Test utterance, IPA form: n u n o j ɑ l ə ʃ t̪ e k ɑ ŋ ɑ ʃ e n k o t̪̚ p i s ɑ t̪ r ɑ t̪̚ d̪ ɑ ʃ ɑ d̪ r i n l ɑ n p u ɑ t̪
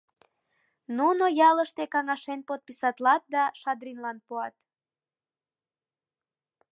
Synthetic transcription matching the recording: n u n o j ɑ l ə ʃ t̪ e k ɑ ŋ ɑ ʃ e n p o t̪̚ p i s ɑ t̪ l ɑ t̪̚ d̪ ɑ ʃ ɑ d̪ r i n l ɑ n p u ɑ t̪